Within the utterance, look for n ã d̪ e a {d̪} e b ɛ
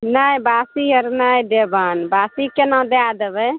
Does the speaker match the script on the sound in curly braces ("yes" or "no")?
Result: yes